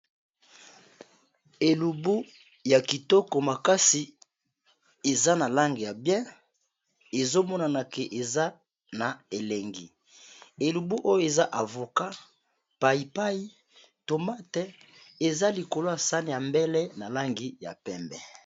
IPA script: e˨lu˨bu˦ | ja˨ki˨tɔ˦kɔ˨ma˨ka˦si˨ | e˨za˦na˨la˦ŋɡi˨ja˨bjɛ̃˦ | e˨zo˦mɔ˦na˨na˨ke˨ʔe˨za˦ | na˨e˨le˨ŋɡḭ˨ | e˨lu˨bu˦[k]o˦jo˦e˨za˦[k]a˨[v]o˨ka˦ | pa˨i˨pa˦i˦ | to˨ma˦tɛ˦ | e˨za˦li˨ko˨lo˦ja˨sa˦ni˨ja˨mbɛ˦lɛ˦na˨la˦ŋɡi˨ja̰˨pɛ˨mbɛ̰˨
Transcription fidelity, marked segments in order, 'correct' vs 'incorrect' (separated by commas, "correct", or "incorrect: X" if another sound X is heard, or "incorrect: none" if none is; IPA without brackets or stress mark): incorrect: ʔ, incorrect: ʔ, correct